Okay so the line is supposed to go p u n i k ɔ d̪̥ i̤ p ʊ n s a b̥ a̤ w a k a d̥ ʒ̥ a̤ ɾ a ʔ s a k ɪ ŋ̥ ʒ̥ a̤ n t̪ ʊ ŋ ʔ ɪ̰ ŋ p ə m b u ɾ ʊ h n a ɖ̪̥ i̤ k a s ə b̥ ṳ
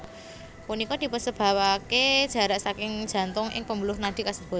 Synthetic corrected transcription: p u n i k ɔ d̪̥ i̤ p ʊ n s ə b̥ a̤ w a k e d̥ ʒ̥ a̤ ɾ a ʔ s a k ɪ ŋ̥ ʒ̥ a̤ n t̪ ʊ ŋ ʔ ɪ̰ ŋ p ə m b u l ʊ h n a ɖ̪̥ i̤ k a s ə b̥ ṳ